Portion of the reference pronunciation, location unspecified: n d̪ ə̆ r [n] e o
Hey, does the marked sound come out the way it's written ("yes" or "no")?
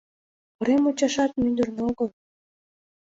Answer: yes